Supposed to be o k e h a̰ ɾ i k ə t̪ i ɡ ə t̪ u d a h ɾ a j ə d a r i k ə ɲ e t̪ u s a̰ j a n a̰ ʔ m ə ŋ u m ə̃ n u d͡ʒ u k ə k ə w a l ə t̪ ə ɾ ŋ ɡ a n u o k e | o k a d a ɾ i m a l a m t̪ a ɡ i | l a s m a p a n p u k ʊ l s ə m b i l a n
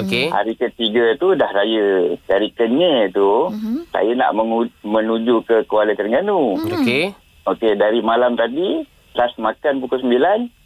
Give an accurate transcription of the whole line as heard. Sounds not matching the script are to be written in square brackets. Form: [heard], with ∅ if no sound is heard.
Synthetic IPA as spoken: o k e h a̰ ɾ i k ə t̪ i ɡ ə t̪ u d a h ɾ a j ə d a [ɾ] i k ə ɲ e t̪ u s a̰ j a n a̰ ʔ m ə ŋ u m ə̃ n u d͡ʒ u k ə k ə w a l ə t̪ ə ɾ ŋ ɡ a n u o k e | o k [e] d a ɾ i m a l a m t̪ a [d] i | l a s m a [k] a n p u k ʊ l s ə m b i l a n